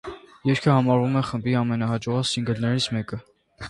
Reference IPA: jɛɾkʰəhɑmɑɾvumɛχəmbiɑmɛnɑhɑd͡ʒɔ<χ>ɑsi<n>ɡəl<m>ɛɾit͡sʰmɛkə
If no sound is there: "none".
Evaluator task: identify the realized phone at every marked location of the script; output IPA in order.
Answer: ʁ, ŋ, n

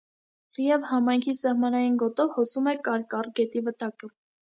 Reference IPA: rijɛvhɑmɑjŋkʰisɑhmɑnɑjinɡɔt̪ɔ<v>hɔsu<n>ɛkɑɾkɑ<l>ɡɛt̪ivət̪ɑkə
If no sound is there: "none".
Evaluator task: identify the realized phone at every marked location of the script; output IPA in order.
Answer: v, m, r

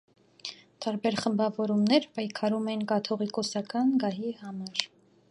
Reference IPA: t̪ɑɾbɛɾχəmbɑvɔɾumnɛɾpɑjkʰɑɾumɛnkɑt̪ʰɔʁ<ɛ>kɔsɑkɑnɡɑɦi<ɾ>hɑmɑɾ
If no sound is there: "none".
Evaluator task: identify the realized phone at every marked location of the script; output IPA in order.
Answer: i, none

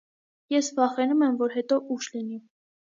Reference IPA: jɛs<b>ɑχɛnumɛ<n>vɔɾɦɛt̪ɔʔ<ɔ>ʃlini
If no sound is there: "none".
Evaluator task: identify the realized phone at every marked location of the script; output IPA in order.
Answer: v, m, u

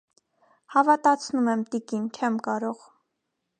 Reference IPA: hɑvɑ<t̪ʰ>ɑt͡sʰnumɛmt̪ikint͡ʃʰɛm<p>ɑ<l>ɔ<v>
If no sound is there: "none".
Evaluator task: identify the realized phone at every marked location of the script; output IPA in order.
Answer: t̪, k, ɾ, ʁ

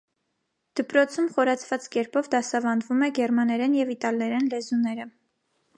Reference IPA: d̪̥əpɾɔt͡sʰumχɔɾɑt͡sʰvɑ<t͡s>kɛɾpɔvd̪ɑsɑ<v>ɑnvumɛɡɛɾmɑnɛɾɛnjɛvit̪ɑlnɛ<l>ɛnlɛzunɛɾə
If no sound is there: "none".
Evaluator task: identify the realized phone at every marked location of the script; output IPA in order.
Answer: t͡s, v, ɾ

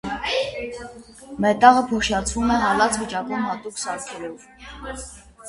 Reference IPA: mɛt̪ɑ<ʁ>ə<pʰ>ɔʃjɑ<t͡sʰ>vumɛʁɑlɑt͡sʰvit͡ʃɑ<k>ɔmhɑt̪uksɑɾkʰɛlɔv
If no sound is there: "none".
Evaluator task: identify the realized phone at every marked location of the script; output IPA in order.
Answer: ʁ, pʰ, t͡sʰ, k

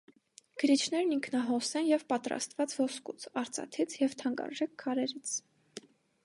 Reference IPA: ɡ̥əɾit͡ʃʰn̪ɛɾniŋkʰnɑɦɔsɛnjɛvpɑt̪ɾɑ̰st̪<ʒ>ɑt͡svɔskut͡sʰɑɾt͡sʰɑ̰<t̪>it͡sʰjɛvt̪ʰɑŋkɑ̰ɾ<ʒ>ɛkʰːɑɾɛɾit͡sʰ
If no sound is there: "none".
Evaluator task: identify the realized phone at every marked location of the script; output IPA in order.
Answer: v, t̪ʰ, ʒ

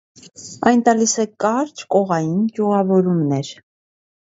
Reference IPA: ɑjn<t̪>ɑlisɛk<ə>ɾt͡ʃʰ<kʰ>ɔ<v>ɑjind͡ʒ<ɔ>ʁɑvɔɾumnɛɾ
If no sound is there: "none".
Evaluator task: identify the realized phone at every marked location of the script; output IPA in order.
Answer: t̪, ɑ, k, ʁ, u

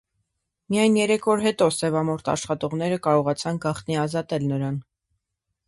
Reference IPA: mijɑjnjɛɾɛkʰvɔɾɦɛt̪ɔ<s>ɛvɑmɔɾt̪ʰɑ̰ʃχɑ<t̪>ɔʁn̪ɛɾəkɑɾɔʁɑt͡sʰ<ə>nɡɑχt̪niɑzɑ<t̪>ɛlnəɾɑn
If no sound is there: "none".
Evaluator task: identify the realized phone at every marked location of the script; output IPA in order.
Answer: s, t̪, ɑ, t̪

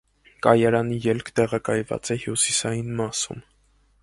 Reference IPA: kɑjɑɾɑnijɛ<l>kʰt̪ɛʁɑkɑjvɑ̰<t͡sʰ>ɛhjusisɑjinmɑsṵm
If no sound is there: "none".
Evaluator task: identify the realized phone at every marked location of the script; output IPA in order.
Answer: l, t͡s

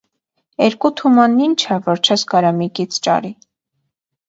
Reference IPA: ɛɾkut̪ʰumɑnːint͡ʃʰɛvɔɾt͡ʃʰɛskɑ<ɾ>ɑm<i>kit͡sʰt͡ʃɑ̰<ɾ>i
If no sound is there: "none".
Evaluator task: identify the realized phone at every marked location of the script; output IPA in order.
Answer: ɾ, i, ɾ

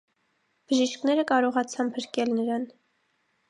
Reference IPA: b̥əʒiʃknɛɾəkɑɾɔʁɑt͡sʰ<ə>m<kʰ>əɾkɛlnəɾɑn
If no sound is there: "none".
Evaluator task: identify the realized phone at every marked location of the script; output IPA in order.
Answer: ɑ, pʰ

